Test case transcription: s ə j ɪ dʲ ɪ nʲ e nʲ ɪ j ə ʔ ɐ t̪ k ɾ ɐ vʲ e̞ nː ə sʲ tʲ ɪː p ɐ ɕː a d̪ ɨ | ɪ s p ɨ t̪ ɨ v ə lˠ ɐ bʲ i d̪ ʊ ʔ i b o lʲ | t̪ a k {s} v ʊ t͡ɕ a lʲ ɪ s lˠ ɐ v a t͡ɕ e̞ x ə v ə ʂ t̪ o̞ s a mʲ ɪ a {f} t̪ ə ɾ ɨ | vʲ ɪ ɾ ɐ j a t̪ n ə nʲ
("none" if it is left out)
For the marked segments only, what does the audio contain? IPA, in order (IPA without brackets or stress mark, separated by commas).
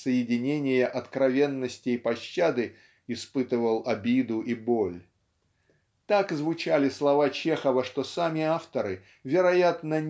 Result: z, f